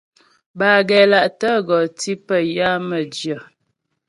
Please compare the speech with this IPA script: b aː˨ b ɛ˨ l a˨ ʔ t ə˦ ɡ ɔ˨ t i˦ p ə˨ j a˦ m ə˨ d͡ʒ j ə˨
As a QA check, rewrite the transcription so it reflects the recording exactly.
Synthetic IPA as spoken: b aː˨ ɡ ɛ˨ l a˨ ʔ t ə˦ ɡ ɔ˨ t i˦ p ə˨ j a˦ m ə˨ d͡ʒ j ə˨